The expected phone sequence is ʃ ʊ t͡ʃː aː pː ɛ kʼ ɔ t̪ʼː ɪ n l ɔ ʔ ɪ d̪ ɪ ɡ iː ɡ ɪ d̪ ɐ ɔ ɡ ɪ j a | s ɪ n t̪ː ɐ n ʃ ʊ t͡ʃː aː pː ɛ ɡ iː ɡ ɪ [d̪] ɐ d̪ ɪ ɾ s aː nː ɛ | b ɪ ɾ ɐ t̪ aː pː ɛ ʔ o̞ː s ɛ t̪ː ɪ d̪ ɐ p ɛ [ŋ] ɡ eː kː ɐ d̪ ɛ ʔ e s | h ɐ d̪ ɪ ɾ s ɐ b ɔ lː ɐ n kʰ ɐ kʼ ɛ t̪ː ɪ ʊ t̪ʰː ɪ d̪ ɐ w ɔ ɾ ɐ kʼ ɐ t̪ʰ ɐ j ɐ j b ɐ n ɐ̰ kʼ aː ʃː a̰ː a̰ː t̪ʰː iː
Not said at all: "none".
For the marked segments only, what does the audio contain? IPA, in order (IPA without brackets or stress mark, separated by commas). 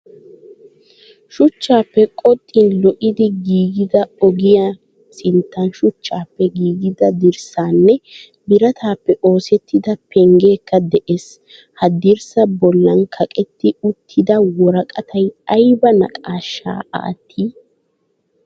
d̪, ŋ